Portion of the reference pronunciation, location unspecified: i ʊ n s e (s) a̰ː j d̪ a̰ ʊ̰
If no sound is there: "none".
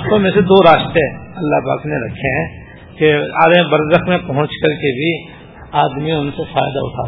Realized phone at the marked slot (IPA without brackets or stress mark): f